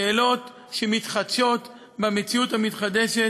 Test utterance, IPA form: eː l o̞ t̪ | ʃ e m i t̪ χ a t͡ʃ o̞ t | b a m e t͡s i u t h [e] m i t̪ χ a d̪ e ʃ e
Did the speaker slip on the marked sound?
yes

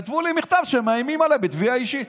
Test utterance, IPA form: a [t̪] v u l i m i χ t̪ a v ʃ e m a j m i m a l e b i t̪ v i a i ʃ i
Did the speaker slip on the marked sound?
no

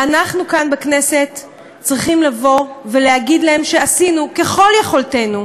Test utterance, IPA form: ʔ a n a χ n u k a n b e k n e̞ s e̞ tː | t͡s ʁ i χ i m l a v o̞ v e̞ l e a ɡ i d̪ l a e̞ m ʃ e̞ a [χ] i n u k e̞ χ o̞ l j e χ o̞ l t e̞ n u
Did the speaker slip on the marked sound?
yes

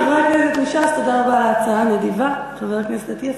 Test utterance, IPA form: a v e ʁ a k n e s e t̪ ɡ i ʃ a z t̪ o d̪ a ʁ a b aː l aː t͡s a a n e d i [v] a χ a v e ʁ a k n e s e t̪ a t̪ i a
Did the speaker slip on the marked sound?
no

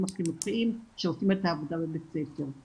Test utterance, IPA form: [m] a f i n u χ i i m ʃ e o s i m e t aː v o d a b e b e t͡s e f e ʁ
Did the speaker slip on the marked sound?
no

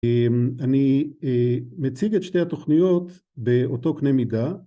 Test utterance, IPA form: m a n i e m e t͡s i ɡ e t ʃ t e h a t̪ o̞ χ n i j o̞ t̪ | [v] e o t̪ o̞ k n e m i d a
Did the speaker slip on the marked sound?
yes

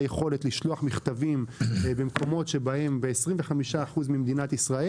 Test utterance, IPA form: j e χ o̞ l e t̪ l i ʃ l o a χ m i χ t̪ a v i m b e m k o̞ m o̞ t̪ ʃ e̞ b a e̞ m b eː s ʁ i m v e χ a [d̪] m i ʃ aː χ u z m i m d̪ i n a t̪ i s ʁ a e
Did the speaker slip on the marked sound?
yes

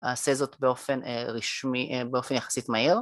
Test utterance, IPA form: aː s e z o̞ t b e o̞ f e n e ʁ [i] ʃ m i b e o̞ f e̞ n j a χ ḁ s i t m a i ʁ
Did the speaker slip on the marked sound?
no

